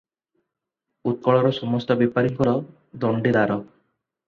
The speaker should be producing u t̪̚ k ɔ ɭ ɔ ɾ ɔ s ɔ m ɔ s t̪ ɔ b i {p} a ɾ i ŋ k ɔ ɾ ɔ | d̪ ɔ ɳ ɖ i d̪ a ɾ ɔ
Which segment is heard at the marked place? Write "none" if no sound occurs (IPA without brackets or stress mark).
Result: p